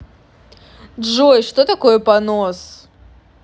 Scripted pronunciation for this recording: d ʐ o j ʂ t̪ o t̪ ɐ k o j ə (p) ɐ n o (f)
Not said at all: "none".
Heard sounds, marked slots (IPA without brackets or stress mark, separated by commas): p, s